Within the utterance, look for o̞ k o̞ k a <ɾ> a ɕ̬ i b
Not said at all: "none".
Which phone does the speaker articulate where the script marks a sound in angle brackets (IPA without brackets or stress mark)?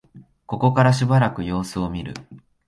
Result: ɾ